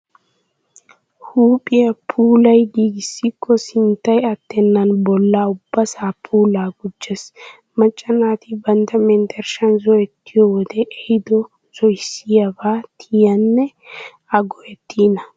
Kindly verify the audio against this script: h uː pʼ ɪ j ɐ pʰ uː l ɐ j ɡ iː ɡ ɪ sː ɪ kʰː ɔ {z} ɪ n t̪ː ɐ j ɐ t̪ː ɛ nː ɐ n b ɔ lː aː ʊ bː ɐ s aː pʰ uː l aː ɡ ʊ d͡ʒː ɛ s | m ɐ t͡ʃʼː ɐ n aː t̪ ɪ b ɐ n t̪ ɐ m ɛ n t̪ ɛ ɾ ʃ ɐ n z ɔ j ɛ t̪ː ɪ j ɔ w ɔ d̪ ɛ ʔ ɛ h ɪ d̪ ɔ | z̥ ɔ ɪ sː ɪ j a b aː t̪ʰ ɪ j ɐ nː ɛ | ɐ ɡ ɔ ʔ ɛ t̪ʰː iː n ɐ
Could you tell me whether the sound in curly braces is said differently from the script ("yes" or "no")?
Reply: yes